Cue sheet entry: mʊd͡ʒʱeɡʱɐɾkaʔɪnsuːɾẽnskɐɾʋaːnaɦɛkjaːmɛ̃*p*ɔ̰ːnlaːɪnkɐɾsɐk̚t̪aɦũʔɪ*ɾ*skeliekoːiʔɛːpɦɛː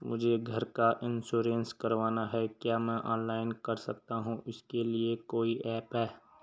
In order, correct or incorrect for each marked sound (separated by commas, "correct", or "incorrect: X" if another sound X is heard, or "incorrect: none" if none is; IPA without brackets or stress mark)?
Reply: incorrect: ʔ, incorrect: none